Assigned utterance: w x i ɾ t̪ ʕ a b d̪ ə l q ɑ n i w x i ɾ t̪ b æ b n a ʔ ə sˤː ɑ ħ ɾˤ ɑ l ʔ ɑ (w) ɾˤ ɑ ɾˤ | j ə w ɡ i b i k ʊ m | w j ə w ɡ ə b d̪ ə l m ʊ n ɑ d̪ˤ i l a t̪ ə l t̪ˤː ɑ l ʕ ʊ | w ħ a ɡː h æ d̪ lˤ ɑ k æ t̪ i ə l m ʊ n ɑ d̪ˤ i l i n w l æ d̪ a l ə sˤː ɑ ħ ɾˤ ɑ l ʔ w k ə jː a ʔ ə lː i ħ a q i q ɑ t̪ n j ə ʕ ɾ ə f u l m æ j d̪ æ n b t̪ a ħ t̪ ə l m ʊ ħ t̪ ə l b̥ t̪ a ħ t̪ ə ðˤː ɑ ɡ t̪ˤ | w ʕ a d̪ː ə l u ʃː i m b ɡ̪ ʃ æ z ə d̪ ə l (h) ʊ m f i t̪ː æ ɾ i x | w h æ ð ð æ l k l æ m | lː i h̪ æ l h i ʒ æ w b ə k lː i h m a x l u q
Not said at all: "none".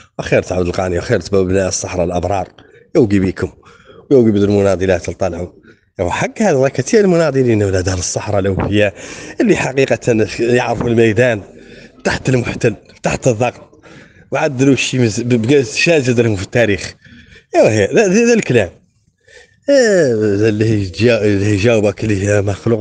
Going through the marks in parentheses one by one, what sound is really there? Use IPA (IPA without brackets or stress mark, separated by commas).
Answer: b, h